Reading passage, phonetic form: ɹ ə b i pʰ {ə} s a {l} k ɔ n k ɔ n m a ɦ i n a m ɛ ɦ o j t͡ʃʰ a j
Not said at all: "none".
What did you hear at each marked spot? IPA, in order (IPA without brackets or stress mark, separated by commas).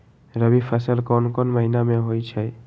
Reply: a, l